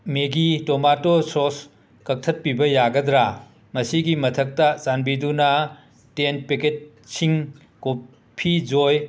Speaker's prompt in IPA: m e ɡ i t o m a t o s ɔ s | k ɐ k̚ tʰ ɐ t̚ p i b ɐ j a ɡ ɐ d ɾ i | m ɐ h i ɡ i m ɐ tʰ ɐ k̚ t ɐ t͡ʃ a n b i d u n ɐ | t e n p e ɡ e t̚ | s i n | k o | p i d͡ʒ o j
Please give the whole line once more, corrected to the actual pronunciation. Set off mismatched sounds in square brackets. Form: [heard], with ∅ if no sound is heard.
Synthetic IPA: m e ɡ i t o m a t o s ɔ s | k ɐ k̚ tʰ ɐ t̚ p i b ɐ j a ɡ ɐ d ɾ [a] | m ɐ [s] i ɡ i m ɐ tʰ ɐ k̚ t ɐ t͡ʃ a n b i d u n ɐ | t e n p e [k] e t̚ | s i [ŋ] | k o | [pʰ] i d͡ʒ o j

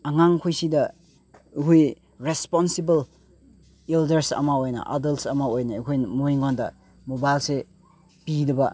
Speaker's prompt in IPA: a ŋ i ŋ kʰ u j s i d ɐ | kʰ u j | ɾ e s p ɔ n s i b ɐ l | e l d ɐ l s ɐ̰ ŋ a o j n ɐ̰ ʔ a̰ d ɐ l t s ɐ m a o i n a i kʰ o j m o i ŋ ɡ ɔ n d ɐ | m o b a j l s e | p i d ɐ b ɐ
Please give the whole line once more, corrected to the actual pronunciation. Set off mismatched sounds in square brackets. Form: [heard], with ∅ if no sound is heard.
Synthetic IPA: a ŋ [a] ŋ kʰ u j s i d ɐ | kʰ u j | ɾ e s p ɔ n s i b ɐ l | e l d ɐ [ɾ] s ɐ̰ [m] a o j n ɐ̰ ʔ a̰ d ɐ l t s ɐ m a o [j] n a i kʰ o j m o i ŋ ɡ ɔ n d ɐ | m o b a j l s e | p i d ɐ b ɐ

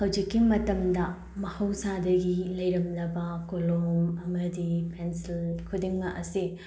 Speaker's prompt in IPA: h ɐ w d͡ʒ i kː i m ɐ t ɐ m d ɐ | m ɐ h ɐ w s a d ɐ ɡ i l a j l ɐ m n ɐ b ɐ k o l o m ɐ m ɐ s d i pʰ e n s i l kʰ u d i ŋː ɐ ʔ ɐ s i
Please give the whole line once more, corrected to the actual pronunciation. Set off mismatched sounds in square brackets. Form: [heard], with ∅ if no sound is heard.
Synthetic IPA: h ɐ w d͡ʒ i kː i m ɐ t ɐ m d ɐ | m ɐ h ɐ w s a d ɐ ɡ i l [ɐ] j [ɾ] ɐ m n ɐ b ɐ k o l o m ɐ m ɐ [∅] d i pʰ e n s i l kʰ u d i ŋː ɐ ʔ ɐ s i

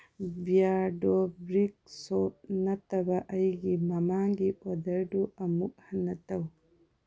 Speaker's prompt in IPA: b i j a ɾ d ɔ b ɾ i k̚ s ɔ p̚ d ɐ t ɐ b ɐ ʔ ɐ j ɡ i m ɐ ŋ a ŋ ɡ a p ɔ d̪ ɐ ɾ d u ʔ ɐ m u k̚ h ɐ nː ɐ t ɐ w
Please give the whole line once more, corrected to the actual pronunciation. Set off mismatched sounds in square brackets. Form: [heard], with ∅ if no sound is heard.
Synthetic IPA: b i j a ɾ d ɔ b ɾ i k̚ s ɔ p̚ [n] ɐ t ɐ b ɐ ʔ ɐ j ɡ i m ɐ [m] a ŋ ɡ [i] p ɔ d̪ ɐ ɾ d u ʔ ɐ m u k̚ h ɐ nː ɐ t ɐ w

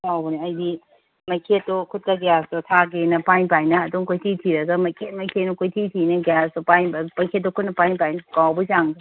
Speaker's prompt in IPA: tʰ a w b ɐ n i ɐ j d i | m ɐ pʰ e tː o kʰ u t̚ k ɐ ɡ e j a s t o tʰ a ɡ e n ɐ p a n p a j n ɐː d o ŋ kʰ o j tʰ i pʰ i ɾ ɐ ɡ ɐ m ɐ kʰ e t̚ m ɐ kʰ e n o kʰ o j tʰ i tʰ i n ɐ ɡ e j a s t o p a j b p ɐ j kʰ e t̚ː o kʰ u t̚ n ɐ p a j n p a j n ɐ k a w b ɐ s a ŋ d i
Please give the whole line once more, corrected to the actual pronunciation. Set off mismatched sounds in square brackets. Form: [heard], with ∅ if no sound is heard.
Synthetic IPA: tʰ a w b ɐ n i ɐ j d i | m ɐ [kʰ] e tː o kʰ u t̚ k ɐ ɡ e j a s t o tʰ a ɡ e n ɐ p a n p a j n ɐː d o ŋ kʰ o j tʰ i [tʰ] i ɾ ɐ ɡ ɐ m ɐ kʰ e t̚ m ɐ kʰ e n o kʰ o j tʰ i tʰ i n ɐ ɡ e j a s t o p a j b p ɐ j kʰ e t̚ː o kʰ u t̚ n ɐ p a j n p a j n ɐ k a w b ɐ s a ŋ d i

